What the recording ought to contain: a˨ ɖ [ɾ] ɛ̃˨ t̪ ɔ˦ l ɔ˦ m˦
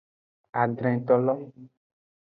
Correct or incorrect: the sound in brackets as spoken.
correct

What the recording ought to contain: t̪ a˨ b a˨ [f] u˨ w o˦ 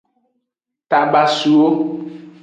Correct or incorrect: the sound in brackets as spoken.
incorrect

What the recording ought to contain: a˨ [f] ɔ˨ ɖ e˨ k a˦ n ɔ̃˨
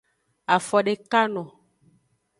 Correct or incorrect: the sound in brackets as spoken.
correct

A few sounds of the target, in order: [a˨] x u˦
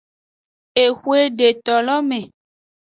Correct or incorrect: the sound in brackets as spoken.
incorrect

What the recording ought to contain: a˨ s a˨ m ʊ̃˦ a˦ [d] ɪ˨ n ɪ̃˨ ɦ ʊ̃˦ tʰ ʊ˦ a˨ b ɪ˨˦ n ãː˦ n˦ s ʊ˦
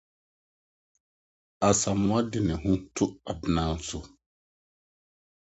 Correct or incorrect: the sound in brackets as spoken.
correct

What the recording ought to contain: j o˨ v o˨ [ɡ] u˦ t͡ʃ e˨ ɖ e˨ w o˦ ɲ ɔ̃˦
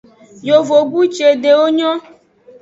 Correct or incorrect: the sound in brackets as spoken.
correct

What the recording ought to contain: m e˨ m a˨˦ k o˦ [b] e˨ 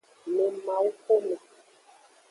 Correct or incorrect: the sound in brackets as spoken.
incorrect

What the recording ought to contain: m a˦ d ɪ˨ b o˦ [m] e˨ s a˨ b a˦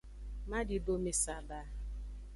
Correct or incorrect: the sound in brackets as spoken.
correct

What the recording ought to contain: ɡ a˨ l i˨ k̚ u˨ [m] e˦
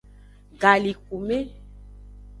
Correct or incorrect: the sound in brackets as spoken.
correct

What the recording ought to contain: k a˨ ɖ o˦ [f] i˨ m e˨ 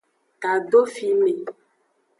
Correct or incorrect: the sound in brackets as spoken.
correct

